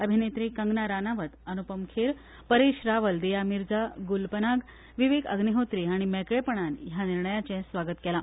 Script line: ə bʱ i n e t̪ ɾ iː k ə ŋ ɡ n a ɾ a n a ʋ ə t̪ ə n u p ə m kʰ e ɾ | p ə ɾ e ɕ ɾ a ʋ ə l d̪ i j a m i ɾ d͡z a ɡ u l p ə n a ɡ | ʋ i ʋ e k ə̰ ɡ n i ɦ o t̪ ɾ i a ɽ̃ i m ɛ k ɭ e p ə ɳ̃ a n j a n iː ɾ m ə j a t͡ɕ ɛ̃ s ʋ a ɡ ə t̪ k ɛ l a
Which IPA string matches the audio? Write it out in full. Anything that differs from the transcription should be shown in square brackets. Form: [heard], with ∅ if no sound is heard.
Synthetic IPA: ə bʱ i n e t̪ ɾ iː k ə ŋ ɡ n a ɾ a n a ʋ ə t̪ ə n u p ə m kʰ e ɾ | p ə ɾ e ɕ ɾ a ʋ ə l d̪ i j a m i ɾ d͡z a ɡ u l p ə n a ɡ | ʋ i ʋ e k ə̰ ɡ n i ɦ o t̪ ɾ i a ɽ̃ i m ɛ k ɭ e p ə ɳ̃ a n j a n [i] ɾ [ɳ] ə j a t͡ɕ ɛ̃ s ʋ a ɡ ə t̪ k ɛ l a